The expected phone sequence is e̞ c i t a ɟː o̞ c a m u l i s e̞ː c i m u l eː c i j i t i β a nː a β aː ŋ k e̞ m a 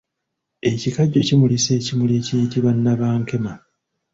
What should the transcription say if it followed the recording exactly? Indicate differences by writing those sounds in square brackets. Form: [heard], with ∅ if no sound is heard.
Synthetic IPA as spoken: e̞ c i [k] a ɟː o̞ c [i] m u l i s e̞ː c i m u l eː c i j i t i β a nː a β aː ŋ k e̞ m a